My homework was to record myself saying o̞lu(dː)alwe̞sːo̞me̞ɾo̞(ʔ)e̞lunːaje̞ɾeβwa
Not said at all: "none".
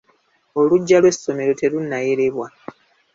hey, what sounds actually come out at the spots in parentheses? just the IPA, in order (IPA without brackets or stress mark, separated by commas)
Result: ɟː, t